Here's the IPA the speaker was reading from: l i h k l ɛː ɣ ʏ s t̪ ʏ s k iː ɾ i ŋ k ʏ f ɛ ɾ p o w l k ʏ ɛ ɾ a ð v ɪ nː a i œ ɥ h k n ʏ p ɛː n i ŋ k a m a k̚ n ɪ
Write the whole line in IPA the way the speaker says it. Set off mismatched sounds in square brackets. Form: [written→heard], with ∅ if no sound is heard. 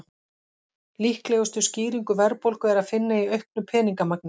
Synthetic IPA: l i h k l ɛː ɣ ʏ s t̪ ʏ s [k→c] iː ɾ i ŋ k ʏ [f→v] ɛ ɾ p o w l k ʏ ɛ ɾ a ð [v→f] ɪ nː a i œ ɥ h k n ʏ [p→pʰ] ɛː n i ŋ k a m a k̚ n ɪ